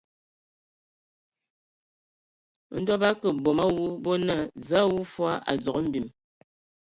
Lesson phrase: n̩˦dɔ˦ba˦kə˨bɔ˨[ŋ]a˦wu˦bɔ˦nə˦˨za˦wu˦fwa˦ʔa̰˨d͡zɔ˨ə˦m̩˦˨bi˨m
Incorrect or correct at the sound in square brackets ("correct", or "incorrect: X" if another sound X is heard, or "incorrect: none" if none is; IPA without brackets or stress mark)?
incorrect: m